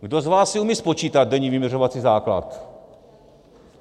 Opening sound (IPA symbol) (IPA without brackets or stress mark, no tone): ɡ